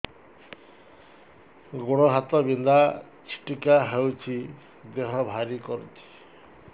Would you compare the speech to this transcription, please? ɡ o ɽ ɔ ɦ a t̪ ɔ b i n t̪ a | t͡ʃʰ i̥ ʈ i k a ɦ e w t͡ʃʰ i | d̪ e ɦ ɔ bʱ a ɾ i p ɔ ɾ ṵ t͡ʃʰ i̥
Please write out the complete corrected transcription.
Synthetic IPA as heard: ɡ o ɽ ɔ ɦ a t̪ ɔ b i n d̪ a | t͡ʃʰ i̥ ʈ i k a ɦ e w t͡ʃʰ i | d̪ e ɦ ɔ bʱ a ɾ i k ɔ ɾ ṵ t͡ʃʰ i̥